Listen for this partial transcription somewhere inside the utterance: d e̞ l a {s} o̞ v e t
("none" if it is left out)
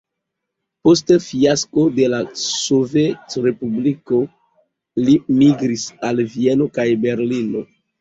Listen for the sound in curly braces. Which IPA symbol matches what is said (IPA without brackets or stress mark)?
s